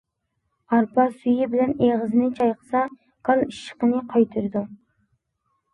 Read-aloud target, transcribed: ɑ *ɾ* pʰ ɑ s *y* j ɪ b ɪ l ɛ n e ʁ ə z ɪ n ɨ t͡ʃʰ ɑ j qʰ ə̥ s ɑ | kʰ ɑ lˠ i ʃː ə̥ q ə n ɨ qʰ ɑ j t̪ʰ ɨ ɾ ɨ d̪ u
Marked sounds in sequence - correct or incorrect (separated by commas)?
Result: correct, correct